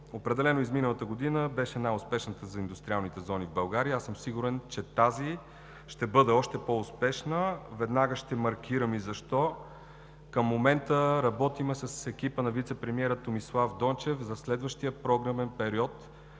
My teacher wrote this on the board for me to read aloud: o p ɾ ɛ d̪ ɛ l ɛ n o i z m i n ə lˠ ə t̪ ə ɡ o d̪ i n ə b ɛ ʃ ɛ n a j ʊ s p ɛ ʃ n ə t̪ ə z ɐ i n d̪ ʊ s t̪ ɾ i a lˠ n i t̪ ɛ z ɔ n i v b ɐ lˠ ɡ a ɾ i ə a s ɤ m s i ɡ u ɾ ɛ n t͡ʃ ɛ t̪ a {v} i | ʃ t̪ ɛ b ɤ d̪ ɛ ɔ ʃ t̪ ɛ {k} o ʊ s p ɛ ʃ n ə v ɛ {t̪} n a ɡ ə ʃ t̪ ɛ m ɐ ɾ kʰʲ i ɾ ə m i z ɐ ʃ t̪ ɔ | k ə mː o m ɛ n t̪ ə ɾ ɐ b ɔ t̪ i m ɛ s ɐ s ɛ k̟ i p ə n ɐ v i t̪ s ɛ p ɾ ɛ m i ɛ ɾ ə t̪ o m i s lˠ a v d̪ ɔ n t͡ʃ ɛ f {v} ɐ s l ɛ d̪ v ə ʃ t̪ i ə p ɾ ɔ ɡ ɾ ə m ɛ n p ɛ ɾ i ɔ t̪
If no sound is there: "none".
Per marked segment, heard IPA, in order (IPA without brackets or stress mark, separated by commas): z, p, d̪, z